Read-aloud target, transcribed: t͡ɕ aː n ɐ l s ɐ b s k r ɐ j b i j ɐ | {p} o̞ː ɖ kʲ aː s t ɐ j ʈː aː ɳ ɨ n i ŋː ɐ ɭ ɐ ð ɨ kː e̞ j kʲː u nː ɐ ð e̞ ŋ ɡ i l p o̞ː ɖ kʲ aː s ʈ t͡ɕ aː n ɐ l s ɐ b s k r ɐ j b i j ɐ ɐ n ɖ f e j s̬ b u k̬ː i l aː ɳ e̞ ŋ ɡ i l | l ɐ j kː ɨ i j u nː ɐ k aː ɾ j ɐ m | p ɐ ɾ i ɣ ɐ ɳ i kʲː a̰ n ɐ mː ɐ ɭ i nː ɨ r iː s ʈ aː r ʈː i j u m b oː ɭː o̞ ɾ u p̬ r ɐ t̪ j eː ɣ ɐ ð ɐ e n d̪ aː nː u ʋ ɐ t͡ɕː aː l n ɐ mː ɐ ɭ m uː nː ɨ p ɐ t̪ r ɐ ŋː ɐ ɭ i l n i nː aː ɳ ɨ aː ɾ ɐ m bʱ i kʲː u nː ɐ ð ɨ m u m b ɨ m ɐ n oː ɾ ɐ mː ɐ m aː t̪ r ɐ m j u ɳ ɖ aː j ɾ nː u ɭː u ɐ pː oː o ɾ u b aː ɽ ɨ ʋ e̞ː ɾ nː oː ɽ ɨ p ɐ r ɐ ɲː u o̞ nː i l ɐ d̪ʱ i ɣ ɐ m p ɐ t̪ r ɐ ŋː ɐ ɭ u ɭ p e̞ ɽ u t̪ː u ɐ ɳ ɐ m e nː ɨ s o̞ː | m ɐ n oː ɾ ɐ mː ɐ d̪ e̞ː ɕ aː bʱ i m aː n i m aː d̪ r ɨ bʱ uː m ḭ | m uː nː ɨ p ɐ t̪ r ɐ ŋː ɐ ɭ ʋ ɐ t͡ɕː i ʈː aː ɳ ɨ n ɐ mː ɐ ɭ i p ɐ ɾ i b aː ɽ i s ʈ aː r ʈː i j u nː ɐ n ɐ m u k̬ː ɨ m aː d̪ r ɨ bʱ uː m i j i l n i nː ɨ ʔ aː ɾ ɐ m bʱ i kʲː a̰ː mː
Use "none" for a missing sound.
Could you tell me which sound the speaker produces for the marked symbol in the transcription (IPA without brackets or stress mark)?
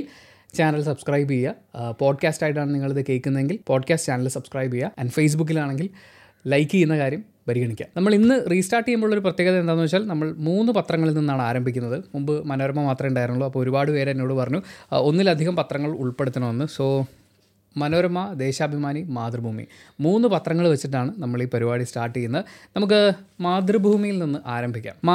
p